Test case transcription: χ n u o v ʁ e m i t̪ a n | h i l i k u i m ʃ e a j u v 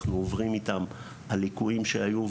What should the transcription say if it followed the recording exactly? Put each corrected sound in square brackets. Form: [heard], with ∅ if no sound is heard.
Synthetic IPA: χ n u o v ʁ [i] m i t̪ a [m] | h [a] l i k u i m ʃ e a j u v